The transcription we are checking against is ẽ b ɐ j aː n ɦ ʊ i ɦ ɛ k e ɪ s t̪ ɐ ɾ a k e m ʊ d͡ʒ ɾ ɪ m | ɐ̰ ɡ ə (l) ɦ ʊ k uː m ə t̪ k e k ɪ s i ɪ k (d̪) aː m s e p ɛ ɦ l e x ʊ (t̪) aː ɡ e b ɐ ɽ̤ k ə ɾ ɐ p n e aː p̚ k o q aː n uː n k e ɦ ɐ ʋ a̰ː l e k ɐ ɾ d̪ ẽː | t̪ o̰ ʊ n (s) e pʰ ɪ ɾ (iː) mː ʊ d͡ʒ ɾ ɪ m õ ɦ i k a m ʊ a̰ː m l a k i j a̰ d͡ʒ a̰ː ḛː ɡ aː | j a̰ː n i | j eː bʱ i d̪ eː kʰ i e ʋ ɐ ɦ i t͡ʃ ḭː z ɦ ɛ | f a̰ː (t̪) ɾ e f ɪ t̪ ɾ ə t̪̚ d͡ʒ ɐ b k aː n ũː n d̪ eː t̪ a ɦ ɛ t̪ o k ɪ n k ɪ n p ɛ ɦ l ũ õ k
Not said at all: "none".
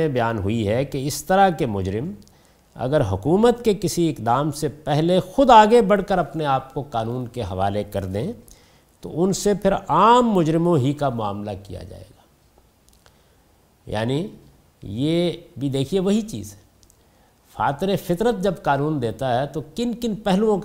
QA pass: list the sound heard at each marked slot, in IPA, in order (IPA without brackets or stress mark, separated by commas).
ɾ, d̪, d̪, s, aː, t̪